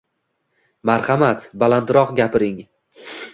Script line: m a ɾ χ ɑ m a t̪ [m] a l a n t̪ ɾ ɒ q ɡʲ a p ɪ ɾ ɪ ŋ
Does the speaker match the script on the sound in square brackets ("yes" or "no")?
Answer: no